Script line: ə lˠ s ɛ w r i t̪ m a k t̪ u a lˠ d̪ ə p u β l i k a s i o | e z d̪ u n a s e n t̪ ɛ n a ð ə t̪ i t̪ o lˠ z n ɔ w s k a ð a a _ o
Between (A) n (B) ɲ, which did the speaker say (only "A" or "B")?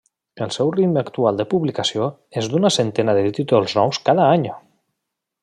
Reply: B